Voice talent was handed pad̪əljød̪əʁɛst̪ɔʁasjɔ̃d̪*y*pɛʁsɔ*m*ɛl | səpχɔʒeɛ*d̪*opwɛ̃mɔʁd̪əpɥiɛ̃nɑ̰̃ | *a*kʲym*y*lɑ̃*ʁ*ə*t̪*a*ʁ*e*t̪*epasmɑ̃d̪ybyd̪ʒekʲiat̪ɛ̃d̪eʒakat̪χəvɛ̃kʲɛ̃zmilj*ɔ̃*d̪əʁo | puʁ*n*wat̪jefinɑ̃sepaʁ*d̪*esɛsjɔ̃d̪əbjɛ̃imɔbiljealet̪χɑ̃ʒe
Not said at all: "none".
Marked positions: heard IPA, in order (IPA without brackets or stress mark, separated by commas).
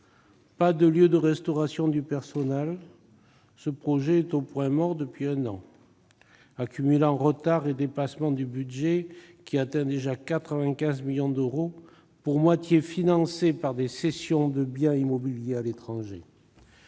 y, n, t̪, a, y, ʁ, t̪, ʁ, d̪, ɔ̃, m, d̪